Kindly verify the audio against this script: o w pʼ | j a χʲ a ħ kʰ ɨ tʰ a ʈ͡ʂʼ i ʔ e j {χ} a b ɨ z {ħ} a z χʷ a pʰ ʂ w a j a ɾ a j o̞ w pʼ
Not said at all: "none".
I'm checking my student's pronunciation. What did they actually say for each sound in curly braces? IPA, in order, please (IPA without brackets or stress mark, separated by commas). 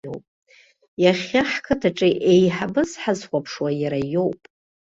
ħ, ħ